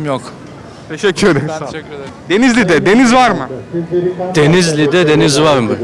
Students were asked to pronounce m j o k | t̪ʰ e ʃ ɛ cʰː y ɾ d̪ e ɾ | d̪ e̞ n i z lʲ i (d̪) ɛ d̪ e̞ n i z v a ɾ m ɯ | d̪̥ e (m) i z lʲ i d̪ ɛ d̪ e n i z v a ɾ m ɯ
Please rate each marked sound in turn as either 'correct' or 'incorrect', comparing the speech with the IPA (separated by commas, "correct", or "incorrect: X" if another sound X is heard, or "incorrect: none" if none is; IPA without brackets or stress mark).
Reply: correct, incorrect: n